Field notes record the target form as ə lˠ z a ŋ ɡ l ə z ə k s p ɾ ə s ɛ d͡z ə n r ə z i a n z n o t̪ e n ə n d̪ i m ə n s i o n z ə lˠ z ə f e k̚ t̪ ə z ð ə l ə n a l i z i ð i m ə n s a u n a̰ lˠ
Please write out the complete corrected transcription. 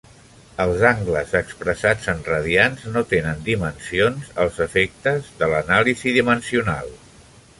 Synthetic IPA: ə lˠ z a ŋ ɡ l ə z ə k s p ɾ ə s a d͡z ə n r ə ð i a n z n o t̪ e n ə n d̪ i m ə n s i o n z ə lˠ z ə f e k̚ t̪ ə z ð ə l ə n a l i z i ð i m ə n s i u n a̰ lˠ